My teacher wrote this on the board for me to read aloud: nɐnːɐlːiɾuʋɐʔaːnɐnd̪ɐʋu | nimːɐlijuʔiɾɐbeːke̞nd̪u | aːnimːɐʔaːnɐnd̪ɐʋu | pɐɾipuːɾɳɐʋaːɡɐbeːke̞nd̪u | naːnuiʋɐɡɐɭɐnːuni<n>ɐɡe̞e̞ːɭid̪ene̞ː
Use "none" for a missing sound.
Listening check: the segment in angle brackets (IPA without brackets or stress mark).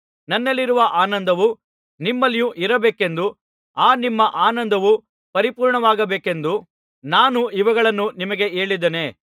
m